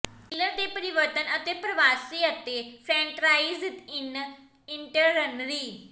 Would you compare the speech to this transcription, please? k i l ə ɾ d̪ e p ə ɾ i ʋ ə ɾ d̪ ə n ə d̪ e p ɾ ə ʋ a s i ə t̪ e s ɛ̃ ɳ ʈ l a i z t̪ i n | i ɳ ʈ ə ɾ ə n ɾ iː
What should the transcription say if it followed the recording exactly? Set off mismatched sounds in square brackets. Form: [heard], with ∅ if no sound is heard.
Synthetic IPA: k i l ə ɾ d̪ e p ə ɾ i ʋ ə ɾ [t̪] ə n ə [t̪] e p ɾ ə ʋ a s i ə t̪ e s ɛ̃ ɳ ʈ [ɾ] a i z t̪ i n | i ɳ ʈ ə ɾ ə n ɾ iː